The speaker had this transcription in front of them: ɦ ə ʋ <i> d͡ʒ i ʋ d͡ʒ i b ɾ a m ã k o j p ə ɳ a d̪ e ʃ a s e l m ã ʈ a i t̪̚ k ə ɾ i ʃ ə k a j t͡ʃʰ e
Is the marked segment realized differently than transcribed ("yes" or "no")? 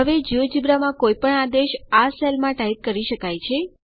yes